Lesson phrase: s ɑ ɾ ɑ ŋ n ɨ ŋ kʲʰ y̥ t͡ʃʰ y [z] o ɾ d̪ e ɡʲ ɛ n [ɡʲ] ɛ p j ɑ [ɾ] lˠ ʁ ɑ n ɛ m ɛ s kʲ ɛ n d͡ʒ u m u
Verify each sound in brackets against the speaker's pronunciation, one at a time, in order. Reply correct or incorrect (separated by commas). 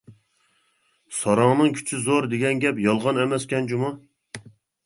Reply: correct, correct, incorrect